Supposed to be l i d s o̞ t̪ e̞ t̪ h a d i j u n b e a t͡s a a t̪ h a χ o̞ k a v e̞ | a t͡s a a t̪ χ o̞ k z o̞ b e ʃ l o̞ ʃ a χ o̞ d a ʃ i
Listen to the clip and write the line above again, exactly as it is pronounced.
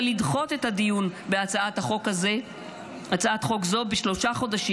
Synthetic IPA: l i d χ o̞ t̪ e̞ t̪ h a d i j u n b e a t͡s a a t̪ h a χ o̞ k a z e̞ | a t͡s a a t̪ χ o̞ k z o̞ b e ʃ l o̞ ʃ a χ o̞ d a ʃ i